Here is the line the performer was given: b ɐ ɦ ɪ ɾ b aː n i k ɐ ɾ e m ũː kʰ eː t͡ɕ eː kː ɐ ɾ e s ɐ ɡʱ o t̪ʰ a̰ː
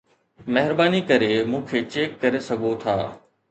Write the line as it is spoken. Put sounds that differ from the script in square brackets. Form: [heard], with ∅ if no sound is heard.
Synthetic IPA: [m] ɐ ɦ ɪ ɾ b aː n i k ɐ ɾ e m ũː kʰ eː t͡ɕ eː kː ɐ ɾ e s ɐ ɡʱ o t̪ʰ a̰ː